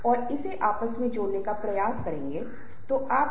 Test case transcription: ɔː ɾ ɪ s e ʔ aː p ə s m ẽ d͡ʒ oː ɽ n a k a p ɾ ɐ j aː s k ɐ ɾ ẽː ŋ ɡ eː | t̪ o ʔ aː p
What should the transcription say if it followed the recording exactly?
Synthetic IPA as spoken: ɔː ɾ ɪ s e ʔ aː p ə s m ẽ d͡ʒ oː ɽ n e k a p ɾ ɐ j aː s k ɐ ɾ ẽː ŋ ɡ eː | t̪ o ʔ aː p